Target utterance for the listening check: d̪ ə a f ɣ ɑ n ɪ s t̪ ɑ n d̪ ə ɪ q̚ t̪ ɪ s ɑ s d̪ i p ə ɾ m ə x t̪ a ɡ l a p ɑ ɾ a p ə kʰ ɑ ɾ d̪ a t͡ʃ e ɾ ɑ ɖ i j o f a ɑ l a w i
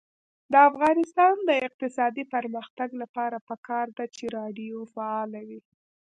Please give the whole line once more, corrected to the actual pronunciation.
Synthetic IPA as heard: d̪ ə a f ɣ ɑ n ɪ s t̪ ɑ n d̪ ə ɪ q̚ t̪ ɪ s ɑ d̪ i p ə ɾ m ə x t̪ a ɡ l a p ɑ ɾ a p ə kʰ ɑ ɾ d̪ a t͡ʃ e ɾ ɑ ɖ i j o f a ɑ l a w i